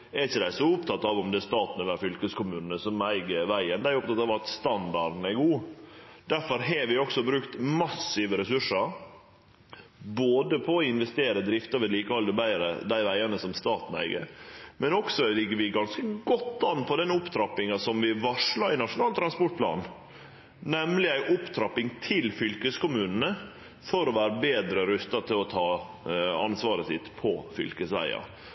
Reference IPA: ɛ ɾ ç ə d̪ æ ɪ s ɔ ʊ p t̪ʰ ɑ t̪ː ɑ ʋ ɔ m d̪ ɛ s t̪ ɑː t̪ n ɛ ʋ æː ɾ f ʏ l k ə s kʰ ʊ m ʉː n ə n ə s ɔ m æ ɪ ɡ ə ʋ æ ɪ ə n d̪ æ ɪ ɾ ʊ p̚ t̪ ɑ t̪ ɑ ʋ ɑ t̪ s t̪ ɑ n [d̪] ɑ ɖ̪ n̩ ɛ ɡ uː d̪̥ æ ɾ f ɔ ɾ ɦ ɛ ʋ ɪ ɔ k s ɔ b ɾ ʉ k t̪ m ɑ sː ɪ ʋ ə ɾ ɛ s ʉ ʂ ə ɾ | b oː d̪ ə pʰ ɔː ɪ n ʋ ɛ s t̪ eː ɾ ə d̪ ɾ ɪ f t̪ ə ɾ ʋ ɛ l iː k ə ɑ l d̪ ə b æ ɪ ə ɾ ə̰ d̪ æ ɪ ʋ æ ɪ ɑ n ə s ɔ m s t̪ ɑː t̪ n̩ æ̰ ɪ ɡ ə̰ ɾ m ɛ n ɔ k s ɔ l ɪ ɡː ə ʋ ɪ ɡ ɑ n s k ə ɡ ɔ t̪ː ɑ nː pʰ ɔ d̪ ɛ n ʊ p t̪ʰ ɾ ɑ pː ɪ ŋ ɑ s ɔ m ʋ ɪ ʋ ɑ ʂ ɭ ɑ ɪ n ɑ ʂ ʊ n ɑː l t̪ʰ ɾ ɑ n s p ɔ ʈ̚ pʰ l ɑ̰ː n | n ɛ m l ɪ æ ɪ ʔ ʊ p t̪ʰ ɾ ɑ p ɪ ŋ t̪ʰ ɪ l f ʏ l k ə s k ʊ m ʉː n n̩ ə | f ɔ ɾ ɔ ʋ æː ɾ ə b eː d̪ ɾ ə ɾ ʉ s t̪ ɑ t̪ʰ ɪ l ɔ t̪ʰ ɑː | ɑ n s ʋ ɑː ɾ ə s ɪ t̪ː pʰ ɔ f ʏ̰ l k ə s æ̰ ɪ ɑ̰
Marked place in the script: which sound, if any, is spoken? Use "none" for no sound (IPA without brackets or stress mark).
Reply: d̪